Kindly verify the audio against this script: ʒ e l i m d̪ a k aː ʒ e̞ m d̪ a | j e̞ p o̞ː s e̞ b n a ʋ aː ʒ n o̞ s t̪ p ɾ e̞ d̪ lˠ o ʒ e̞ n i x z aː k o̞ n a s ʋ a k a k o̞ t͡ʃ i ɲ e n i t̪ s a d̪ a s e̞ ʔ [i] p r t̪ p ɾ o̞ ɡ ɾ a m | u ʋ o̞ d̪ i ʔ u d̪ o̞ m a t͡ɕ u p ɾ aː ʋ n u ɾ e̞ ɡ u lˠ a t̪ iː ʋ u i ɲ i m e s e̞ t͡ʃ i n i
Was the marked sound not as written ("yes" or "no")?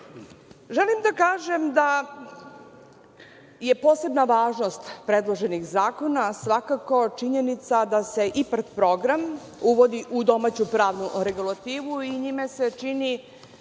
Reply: no